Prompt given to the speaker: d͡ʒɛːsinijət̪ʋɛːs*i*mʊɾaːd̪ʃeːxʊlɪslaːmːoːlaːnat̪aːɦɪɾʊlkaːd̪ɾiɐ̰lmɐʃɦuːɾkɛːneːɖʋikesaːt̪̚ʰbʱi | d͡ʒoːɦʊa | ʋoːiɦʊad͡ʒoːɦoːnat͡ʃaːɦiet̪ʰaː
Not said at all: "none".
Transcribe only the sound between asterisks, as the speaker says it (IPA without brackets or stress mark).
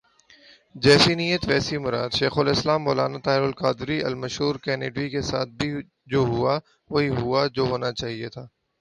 i